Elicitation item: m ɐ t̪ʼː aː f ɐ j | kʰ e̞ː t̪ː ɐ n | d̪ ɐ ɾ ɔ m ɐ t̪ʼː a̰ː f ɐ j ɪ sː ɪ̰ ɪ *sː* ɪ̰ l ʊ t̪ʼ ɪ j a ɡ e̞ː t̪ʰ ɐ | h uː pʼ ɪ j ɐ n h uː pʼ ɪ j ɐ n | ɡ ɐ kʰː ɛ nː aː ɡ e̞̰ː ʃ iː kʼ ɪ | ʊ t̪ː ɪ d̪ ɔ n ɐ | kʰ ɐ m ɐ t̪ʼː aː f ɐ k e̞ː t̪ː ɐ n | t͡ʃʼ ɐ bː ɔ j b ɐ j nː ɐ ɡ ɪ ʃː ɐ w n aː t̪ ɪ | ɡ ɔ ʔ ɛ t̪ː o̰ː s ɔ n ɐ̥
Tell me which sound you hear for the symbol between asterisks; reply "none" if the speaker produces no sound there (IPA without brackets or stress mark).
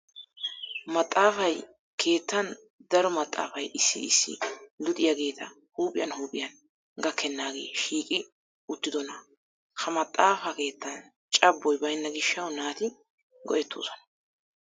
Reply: sː